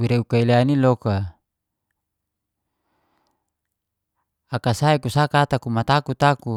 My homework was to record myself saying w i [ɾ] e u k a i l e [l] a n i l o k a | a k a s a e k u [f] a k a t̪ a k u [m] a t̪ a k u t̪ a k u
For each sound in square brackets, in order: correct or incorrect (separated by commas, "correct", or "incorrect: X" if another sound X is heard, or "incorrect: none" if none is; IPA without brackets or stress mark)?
correct, incorrect: none, incorrect: s, correct